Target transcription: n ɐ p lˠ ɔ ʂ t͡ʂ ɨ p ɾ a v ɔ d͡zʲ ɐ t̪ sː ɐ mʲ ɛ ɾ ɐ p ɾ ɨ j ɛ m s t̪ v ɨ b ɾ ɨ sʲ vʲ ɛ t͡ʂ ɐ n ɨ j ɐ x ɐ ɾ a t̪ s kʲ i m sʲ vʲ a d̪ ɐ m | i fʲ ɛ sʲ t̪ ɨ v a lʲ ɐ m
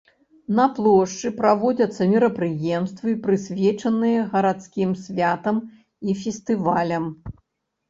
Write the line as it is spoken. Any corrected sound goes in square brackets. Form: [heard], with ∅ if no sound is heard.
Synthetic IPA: n ɐ p lˠ ɔ ʂ t͡ʂ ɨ p ɾ a v ɔ d͡zʲ ɐ t̪ sː ɐ mʲ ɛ ɾ ɐ p ɾ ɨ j ɛ m s t̪ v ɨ [p] ɾ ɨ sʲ vʲ ɛ t͡ʂ ɐ n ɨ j ɐ [ɣ] ɐ ɾ a t̪ s kʲ i m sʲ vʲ a [t̪] ɐ m | i fʲ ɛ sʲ t̪ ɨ v a lʲ ɐ m